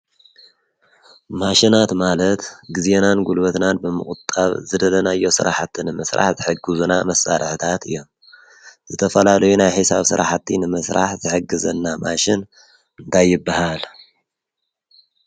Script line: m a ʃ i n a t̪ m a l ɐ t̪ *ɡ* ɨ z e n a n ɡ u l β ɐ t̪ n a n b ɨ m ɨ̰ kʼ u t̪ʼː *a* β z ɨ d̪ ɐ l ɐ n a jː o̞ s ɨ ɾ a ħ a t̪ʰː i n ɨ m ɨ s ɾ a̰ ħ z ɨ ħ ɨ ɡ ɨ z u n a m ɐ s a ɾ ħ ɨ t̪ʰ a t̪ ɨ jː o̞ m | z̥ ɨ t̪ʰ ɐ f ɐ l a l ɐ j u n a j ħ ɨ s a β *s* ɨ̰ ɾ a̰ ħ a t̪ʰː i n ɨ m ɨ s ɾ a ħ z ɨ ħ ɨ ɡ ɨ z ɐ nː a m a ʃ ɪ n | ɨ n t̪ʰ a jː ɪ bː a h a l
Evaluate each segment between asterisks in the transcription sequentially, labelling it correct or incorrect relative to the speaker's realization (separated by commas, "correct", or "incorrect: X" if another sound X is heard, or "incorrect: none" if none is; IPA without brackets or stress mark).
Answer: correct, correct, correct